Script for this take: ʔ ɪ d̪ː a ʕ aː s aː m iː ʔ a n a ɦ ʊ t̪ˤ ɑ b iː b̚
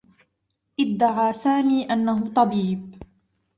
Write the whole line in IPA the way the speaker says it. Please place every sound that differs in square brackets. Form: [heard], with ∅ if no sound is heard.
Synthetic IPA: ʔ ɪ d̪ː a ʕ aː s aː m iː ʔ a [nː] a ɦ ʊ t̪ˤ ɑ b iː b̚